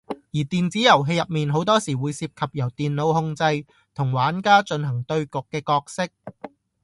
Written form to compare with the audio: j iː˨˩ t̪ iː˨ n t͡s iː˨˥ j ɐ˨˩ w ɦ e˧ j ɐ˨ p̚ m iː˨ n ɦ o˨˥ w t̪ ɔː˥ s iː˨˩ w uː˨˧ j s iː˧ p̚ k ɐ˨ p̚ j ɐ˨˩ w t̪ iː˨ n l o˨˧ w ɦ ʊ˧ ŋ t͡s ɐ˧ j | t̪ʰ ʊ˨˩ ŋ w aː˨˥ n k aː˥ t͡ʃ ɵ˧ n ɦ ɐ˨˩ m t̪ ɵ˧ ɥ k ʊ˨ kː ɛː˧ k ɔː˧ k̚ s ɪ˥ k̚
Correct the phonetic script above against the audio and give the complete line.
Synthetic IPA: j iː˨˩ t̪ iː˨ n t͡s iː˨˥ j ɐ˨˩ w ɦ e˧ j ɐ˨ p̚ m iː˨ n ɦ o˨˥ w t̪ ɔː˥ s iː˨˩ w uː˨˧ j s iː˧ p̚ kʰ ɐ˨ p̚ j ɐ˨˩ w t̪ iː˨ n l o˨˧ w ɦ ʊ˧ ŋ t͡s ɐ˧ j | t̪ʰ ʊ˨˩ ŋ w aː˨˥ n k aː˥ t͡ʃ ɵ˧ n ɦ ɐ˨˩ ŋ t̪ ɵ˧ ɥ k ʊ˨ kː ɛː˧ k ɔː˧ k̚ s ɪ˥ k̚

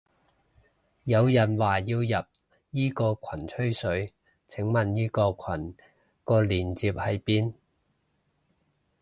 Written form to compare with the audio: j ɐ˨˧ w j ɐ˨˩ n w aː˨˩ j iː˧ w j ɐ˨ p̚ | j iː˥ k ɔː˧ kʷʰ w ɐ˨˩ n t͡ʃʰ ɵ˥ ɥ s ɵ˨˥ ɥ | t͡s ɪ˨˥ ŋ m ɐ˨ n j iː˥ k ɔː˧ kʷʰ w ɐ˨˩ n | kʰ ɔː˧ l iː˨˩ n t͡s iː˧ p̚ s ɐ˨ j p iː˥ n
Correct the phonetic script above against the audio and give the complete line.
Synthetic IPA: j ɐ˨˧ w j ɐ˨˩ n w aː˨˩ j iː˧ w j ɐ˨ p̚ | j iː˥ k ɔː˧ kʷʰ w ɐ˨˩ n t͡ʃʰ ɵ˥ ɥ s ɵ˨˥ ɥ | t͡sʰ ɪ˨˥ ŋ m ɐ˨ n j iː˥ k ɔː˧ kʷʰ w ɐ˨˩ n | k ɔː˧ l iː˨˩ n t͡s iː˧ p̚ h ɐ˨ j p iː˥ n

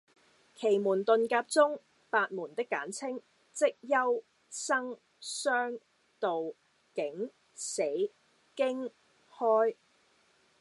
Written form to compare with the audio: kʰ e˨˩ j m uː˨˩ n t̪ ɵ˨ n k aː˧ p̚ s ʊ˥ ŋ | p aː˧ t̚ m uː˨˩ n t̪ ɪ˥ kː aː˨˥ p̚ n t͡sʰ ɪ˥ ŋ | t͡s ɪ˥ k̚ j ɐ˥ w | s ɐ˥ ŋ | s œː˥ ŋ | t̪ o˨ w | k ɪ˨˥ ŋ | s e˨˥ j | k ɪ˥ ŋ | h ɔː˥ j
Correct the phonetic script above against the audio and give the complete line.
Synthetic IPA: kʰ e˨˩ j m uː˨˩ n t̪ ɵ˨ n k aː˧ p̚ t͡s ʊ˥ ŋ | p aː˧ t̚ m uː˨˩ n t̪ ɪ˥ kː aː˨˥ n t͡sʰ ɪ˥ ŋ | t͡s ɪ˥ k̚ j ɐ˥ w | s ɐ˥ ŋ | s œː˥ ŋ | t̪ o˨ w | k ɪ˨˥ ŋ | s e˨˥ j | k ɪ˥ ŋ | h ɔː˥ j

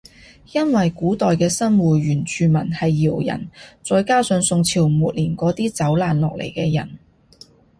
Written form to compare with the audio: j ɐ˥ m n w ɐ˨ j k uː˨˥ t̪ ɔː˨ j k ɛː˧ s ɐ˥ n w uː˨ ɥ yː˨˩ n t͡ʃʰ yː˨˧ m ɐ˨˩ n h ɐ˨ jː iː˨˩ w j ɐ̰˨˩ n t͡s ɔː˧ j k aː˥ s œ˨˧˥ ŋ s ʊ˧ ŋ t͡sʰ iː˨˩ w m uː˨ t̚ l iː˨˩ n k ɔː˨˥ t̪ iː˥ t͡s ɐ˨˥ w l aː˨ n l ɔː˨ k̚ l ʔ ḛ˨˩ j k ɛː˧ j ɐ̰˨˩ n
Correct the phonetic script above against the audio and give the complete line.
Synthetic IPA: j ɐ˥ n w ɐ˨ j k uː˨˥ t̪ ɔː˨ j k ɛː˧ s ɐ˥ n w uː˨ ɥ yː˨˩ n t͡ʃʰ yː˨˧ m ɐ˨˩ n h ɐ˨ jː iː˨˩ w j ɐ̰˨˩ n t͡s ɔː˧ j k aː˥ s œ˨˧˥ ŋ s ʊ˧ ŋ t͡sʰ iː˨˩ w m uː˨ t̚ l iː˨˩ n k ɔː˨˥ t̪ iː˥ t͡s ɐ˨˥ w l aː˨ n l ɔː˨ k̚ l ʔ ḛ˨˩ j k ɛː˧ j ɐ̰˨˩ n

